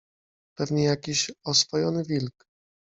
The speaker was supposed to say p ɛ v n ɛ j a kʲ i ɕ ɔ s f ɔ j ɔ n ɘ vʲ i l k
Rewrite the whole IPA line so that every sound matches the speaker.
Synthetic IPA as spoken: p ɛ v ɲ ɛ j a kʲ i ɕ ɔ s f ɔ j ɔ n ɘ vʲ i l k